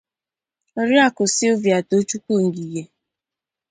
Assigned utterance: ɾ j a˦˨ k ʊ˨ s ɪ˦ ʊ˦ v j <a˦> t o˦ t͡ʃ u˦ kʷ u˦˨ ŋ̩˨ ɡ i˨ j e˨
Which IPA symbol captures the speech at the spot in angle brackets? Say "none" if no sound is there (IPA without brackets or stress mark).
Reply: a˨